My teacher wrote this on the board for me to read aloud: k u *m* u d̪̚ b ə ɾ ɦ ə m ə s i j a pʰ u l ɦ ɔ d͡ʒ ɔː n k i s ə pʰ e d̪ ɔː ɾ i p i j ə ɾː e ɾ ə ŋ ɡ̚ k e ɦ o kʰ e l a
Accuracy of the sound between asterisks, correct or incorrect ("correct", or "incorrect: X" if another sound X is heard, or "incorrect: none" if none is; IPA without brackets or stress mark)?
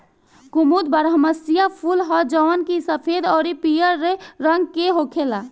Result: correct